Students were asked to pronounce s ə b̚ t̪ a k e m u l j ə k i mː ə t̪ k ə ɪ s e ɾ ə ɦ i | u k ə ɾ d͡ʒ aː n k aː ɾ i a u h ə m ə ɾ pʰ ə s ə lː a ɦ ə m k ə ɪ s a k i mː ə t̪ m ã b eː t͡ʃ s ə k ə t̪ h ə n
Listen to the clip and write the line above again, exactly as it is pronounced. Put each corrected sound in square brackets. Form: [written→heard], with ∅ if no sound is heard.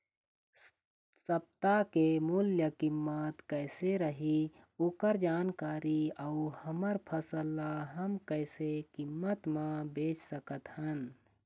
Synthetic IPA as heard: s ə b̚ t̪ a k e m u l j ə k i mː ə t̪ k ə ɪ s e ɾ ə ɦ i | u k ə ɾ d͡ʒ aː n k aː ɾ i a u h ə m ə ɾ pʰ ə s ə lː a ɦ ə m k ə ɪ s [a→e] k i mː ə t̪ m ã b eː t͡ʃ s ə k ə t̪ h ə n